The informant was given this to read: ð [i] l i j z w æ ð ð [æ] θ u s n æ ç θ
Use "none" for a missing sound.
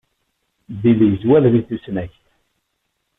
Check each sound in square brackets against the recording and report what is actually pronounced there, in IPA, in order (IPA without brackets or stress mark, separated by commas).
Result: i, i